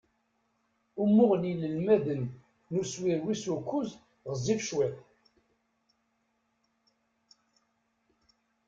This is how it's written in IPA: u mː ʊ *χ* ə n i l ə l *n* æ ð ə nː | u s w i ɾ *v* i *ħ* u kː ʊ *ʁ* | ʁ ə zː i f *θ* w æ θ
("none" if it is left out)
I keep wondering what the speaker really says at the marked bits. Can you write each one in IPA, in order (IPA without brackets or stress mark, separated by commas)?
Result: ʁ, m, w, s, z, ʃ